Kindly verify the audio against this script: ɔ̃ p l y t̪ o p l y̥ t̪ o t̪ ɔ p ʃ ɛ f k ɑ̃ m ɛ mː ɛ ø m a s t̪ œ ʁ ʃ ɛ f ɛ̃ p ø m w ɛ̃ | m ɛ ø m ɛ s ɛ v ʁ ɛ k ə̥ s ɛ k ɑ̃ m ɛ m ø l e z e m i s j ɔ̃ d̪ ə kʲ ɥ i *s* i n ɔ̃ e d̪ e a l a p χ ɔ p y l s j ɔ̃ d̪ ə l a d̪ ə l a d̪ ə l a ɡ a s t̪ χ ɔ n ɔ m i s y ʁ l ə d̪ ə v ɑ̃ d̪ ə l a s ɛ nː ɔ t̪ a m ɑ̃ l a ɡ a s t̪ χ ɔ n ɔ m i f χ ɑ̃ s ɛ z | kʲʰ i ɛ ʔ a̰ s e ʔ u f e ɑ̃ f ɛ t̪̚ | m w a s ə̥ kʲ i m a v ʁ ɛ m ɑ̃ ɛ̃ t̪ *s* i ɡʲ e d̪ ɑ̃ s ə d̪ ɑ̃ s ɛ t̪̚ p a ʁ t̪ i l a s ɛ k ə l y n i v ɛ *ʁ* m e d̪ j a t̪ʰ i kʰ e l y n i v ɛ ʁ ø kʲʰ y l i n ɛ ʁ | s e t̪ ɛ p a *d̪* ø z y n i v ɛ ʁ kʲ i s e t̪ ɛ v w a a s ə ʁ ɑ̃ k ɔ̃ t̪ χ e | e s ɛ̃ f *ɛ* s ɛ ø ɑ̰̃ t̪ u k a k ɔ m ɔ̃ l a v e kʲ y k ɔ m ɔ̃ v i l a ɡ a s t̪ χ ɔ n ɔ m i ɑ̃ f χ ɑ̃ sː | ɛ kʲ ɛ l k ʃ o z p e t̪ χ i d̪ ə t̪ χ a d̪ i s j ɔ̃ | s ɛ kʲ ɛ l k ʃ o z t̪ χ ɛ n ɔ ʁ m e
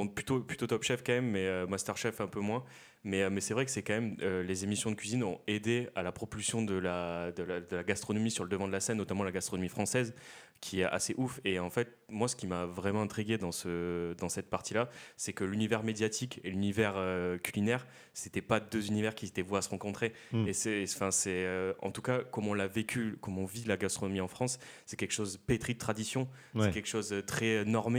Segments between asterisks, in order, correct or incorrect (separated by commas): incorrect, incorrect, correct, correct, incorrect